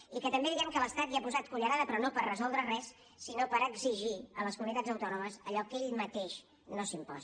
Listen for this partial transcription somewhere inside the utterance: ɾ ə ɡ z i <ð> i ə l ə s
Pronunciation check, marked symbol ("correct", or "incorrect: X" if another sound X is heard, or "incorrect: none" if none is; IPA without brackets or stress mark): incorrect: ʒ